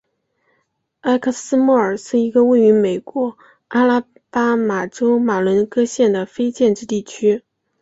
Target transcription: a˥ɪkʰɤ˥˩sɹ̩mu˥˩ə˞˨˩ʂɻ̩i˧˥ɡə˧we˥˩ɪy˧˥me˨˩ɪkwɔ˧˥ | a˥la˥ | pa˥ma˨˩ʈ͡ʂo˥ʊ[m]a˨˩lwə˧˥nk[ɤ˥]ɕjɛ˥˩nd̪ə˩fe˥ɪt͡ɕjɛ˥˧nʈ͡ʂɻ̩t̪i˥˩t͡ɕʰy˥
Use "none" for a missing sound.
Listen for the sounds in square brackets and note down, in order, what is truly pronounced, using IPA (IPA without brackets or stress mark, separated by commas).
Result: m, ɤ˥